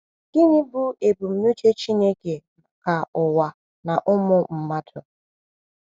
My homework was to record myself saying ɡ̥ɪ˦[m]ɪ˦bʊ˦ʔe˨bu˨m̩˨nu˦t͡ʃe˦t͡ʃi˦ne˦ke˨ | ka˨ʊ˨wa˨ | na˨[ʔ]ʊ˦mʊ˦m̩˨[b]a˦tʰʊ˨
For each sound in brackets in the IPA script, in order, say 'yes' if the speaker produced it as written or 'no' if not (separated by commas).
no, yes, no